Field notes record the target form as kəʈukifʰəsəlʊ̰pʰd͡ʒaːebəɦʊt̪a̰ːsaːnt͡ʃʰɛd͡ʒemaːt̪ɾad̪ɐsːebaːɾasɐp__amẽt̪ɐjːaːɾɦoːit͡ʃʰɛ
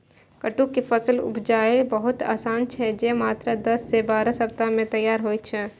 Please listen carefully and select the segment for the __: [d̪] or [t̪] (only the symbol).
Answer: t̪